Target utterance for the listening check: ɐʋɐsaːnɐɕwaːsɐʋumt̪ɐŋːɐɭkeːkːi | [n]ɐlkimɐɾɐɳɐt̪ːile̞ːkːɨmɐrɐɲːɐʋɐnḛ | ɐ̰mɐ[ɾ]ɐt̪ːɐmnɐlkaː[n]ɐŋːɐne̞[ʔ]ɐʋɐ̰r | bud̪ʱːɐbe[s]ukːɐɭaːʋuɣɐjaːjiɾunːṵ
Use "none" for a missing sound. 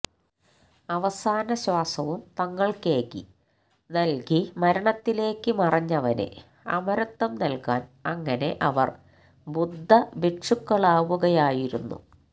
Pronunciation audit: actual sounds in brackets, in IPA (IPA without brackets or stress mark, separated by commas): n, ɾ, n, ʔ, ʂ